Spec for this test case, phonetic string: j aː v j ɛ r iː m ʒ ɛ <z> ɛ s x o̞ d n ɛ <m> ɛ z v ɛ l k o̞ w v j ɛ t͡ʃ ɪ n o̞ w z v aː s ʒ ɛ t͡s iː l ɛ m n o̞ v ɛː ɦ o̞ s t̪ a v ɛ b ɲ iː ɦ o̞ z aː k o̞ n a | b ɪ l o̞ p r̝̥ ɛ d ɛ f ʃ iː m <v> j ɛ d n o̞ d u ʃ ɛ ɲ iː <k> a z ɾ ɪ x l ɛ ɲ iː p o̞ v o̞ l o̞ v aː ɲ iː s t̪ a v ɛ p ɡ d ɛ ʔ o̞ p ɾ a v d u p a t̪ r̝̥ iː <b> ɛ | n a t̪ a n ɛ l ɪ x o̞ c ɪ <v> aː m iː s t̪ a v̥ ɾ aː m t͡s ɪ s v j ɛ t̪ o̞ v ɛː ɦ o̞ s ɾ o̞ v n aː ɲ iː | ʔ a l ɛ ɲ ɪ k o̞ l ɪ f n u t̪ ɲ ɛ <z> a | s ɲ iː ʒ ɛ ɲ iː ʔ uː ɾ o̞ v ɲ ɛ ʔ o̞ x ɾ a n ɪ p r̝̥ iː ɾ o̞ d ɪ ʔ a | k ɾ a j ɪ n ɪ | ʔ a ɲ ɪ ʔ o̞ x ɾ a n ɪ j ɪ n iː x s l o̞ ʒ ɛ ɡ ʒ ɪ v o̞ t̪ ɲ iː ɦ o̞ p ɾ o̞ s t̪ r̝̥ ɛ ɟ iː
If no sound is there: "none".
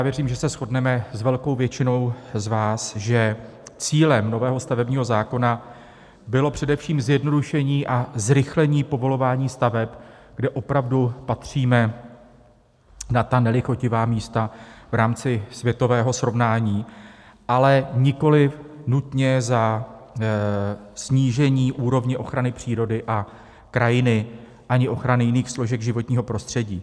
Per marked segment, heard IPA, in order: s, m, z, ʔ, m, v, z

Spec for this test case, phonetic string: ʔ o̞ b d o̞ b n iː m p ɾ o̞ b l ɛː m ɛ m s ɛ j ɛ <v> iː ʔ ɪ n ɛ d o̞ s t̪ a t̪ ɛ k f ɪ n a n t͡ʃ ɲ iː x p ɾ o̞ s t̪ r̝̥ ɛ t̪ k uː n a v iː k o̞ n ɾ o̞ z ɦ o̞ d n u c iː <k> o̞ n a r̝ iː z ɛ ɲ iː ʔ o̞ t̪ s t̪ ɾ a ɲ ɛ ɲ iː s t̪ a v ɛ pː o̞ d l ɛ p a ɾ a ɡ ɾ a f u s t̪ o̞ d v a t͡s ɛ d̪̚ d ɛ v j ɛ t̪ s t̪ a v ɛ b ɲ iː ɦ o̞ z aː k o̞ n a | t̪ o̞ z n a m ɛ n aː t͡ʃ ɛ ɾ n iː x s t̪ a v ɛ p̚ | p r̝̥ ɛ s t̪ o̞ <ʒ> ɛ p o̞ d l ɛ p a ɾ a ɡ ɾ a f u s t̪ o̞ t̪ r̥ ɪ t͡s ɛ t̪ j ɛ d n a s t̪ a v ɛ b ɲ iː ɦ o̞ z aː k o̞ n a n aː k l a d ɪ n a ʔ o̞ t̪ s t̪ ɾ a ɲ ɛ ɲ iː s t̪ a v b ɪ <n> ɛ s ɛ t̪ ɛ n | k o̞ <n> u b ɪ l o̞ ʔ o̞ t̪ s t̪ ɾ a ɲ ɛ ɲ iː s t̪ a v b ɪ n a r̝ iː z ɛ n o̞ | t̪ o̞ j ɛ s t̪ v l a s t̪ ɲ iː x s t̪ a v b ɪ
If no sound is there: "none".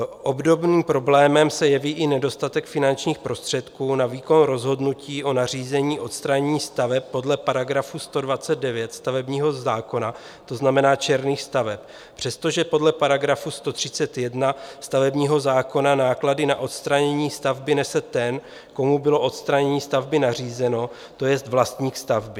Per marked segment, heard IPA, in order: v, ʔ, ʒ, n, m

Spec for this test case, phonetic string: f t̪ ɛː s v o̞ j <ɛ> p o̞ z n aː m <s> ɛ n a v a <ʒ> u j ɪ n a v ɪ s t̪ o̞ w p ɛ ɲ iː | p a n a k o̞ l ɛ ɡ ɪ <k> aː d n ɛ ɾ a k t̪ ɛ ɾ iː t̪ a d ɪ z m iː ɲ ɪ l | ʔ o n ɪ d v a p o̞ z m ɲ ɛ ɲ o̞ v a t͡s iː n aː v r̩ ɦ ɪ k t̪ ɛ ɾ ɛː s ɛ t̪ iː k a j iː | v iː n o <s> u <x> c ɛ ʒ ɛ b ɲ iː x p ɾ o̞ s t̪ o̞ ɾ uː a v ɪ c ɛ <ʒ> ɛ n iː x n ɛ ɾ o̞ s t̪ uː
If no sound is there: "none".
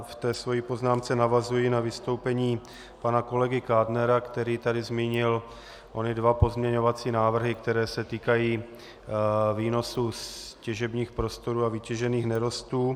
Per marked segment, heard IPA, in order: i, t͡s, z, k, s, s, ʒ

